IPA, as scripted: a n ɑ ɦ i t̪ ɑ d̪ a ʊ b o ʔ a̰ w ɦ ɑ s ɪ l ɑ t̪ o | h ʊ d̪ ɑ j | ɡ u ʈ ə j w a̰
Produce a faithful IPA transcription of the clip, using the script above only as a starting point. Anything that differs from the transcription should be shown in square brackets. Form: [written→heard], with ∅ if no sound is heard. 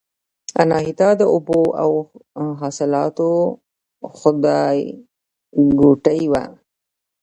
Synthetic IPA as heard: a n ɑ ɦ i t̪ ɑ d̪ [a→ə] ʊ b o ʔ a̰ w ɦ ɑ s ɪ l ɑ t̪ o | [h→x] ʊ d̪ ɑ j | ɡ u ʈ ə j w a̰